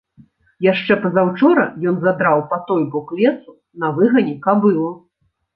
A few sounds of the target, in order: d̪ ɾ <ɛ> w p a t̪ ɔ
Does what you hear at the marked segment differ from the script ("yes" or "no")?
yes